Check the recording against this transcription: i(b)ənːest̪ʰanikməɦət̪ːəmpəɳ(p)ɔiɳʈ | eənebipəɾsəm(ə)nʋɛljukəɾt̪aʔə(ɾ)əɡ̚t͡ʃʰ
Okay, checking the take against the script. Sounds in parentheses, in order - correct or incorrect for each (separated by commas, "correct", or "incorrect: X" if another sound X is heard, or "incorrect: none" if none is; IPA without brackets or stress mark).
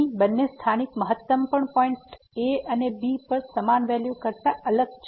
correct, correct, incorrect: a, incorrect: l